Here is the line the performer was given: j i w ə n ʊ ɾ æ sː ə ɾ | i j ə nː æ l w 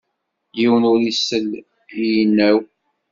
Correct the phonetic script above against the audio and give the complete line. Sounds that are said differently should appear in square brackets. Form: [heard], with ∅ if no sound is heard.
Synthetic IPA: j i w ə n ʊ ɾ [i] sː ə [l] | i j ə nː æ [∅] w